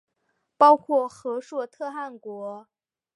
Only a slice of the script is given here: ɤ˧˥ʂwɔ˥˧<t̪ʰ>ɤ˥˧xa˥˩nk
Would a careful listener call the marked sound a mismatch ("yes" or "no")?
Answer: no